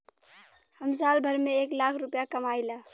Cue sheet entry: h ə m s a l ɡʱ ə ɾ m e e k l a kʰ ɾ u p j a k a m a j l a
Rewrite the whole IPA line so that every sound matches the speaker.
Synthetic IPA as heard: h ə m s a l bʱ ə ɾ m e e k l a kʰ ɾ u p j a k ə m a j l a